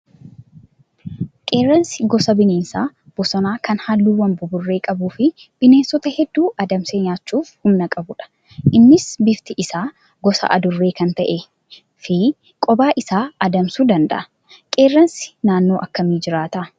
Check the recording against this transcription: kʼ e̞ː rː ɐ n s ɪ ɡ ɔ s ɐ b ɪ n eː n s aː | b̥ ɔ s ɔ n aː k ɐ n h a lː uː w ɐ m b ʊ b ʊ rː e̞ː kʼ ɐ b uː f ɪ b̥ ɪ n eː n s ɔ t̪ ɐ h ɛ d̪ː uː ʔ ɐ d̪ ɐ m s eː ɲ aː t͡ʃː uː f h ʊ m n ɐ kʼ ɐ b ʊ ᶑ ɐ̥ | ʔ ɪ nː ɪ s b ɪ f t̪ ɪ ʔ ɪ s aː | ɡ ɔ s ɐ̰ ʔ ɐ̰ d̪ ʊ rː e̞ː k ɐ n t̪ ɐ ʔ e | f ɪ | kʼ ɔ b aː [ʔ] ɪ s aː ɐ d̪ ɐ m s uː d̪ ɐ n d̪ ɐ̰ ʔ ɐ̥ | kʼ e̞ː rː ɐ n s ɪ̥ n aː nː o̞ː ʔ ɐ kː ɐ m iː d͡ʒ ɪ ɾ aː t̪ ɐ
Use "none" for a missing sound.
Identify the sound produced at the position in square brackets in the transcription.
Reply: ʔ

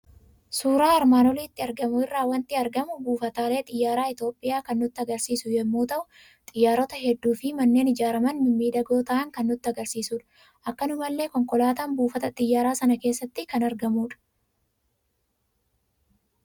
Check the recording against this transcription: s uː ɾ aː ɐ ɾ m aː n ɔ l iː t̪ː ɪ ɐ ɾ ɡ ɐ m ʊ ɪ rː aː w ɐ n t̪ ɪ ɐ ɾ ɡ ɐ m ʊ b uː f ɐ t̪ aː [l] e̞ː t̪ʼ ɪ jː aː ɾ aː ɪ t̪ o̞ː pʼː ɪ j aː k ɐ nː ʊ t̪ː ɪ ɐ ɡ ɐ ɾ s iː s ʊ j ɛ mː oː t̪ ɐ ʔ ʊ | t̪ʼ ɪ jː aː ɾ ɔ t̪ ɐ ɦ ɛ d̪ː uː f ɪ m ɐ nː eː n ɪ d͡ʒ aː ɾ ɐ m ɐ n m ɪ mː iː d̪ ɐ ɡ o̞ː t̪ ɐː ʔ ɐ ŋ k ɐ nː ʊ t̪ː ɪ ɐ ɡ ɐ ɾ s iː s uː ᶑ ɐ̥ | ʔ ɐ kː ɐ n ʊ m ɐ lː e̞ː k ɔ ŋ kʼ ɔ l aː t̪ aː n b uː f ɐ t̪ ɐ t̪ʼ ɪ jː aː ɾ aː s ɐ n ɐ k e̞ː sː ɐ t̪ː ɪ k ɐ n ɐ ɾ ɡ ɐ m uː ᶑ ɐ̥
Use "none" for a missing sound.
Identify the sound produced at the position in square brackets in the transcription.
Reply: l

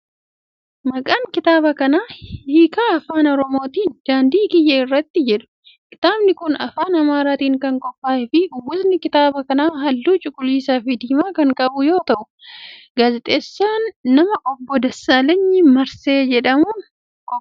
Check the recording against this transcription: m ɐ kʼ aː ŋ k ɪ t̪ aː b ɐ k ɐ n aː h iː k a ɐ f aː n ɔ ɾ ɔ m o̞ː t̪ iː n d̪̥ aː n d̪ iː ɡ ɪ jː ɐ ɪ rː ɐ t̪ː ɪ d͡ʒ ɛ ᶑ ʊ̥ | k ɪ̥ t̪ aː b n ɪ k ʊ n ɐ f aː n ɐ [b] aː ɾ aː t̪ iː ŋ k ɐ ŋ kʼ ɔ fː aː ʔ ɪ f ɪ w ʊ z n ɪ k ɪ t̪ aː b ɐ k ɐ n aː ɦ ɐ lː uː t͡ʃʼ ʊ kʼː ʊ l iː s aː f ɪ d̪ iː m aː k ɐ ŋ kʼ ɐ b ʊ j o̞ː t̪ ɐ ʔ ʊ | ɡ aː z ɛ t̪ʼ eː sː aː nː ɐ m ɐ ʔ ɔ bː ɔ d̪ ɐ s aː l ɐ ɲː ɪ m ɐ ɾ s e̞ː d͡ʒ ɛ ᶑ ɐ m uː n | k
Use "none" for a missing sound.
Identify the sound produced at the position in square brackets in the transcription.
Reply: m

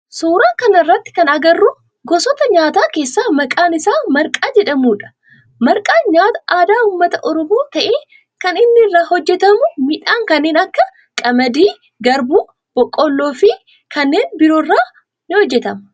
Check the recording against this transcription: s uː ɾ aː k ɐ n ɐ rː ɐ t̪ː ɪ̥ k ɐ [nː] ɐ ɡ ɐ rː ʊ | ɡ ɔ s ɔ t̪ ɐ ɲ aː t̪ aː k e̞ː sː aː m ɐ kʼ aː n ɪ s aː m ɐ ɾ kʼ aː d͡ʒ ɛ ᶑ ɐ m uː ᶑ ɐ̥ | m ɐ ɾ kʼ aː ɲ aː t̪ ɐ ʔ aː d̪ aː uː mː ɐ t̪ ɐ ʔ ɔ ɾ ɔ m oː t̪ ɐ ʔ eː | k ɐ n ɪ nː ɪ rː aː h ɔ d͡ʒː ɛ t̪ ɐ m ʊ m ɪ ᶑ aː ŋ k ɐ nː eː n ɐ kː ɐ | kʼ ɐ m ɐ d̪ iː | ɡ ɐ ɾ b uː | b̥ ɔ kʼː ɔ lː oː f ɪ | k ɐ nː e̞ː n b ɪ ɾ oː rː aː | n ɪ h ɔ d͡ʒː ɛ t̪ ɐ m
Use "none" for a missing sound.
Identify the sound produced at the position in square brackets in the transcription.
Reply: n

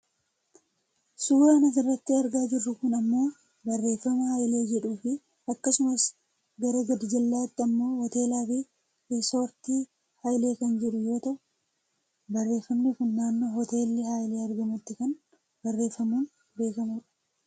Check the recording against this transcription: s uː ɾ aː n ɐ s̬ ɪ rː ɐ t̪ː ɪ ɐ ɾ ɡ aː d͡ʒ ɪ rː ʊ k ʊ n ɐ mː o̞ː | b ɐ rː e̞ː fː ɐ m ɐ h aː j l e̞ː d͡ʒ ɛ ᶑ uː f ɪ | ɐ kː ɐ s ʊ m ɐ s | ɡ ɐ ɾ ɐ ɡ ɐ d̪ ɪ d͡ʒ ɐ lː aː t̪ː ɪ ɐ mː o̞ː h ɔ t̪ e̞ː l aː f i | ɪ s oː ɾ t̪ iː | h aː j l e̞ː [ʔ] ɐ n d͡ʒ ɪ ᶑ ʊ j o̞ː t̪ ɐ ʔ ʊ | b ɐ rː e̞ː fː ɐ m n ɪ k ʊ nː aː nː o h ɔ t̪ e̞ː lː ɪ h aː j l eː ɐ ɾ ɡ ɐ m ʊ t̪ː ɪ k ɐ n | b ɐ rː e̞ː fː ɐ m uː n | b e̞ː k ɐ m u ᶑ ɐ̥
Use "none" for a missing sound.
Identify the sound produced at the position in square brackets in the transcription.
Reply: k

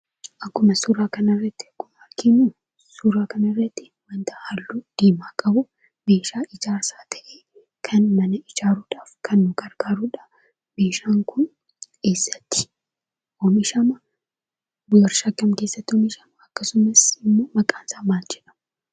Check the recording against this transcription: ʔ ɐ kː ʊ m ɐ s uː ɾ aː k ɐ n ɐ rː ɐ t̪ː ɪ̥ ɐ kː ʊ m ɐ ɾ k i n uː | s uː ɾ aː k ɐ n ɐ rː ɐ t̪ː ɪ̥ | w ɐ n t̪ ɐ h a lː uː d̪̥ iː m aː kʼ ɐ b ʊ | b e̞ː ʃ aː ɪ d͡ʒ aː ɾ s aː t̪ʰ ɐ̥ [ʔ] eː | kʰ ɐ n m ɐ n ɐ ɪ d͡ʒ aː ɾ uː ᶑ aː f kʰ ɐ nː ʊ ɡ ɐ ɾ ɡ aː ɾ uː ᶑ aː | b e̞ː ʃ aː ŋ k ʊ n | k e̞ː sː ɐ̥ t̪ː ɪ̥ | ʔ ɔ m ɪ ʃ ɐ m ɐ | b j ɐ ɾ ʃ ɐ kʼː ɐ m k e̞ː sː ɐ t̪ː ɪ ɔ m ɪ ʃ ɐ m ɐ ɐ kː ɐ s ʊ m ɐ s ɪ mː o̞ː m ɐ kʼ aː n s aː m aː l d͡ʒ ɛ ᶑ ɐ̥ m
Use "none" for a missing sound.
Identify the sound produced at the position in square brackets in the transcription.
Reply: ʔ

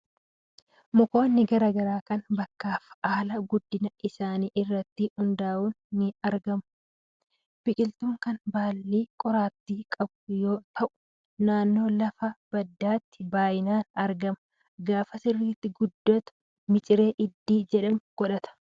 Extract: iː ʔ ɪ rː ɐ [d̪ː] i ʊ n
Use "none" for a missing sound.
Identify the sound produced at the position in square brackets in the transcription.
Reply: t̪ː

